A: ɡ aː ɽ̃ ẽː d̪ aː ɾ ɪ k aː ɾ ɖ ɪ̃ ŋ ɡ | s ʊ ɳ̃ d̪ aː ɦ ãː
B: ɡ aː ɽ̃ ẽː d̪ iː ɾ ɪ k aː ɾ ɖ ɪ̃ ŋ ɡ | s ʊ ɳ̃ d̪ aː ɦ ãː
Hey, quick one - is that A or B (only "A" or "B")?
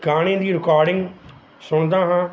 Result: B